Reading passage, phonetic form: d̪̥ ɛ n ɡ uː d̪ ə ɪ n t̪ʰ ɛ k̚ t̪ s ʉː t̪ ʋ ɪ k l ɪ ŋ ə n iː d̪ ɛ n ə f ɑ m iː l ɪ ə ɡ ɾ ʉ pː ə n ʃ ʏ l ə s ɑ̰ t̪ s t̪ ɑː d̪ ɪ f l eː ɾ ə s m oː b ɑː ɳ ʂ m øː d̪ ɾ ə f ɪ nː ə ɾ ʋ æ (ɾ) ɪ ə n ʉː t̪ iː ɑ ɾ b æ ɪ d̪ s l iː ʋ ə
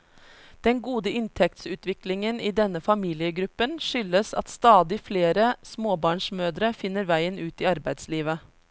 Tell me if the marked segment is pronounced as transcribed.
no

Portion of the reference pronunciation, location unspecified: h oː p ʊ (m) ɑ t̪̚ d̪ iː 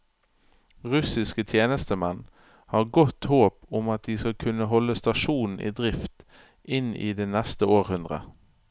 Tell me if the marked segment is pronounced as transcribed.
yes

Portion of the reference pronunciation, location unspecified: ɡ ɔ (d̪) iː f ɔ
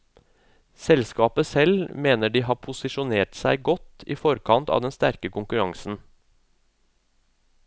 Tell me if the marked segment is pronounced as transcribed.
no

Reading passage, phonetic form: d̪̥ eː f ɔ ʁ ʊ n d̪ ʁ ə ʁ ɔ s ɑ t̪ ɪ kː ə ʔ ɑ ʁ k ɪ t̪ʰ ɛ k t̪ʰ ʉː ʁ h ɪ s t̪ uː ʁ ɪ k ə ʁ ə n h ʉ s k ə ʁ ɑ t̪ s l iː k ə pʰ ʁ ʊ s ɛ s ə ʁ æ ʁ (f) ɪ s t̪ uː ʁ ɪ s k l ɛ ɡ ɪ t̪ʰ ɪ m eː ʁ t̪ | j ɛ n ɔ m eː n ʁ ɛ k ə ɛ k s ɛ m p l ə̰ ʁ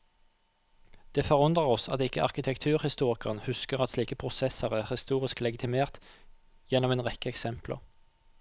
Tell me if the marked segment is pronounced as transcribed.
no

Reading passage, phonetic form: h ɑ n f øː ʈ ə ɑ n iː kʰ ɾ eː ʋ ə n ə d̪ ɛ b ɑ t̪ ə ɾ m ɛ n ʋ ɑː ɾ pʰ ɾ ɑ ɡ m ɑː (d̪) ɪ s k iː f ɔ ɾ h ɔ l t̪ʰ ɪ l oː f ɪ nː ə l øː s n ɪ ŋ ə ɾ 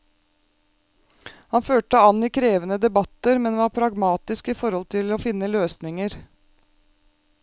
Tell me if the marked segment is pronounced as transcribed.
no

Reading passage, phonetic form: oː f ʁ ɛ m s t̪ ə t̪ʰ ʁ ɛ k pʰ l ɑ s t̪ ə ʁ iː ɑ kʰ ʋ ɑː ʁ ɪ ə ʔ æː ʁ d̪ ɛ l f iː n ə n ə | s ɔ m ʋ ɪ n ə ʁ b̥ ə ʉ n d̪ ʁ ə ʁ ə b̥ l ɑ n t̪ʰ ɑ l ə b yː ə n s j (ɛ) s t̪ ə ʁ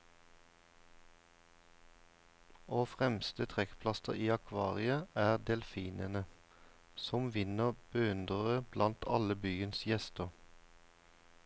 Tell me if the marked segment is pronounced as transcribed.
yes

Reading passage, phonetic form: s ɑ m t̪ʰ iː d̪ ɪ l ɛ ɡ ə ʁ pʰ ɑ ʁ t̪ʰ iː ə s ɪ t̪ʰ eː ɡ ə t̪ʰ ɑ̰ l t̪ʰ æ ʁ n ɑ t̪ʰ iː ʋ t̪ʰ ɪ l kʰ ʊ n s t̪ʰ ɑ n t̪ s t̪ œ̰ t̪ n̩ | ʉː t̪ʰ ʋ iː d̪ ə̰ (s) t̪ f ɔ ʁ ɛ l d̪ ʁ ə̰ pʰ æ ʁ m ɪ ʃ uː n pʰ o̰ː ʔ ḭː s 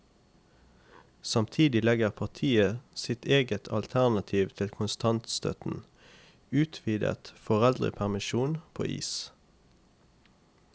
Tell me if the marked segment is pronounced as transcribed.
no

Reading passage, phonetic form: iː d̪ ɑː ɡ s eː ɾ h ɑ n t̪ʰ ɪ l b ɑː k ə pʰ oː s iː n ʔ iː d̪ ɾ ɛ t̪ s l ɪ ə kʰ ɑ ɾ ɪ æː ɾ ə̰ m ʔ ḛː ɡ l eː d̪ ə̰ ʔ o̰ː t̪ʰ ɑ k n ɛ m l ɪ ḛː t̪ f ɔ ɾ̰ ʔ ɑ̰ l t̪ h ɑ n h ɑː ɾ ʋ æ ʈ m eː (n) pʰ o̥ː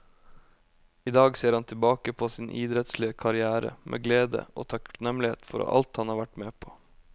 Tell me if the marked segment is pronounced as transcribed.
no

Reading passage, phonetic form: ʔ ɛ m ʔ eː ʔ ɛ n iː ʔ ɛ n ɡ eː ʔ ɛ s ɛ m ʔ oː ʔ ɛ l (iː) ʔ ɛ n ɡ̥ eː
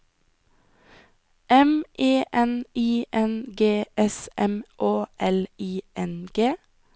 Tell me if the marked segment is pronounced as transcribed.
yes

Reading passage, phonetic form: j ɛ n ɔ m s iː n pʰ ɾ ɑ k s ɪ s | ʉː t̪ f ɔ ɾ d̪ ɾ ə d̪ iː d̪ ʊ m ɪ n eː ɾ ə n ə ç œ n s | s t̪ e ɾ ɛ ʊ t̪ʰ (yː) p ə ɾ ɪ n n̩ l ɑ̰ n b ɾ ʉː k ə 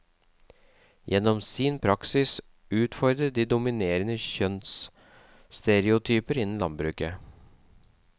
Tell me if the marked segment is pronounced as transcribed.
yes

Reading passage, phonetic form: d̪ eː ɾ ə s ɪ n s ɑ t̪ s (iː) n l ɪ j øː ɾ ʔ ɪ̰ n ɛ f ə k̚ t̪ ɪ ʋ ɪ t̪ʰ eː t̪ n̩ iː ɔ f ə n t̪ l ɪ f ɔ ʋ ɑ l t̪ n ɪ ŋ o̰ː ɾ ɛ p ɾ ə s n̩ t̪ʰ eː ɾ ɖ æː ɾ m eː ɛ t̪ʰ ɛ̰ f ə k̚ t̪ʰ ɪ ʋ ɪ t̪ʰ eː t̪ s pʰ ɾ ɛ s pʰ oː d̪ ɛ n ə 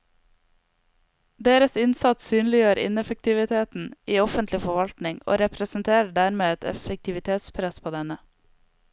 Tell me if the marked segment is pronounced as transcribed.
no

